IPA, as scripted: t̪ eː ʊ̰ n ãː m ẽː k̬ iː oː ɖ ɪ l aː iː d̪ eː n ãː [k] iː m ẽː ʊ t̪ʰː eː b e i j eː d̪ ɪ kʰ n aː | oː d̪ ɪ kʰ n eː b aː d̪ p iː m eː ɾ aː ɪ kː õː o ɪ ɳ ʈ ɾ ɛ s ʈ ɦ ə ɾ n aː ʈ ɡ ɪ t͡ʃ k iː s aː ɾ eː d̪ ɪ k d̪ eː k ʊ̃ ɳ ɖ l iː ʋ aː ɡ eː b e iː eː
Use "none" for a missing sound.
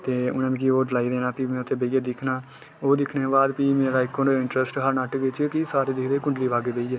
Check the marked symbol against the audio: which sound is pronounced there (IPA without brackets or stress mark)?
p